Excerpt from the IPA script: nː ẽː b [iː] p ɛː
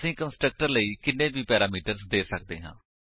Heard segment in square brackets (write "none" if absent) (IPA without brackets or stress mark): iː